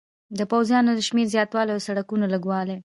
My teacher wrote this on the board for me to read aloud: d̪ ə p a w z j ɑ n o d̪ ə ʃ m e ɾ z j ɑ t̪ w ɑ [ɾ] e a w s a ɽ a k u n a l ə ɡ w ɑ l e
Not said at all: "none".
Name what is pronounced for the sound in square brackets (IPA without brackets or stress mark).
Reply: l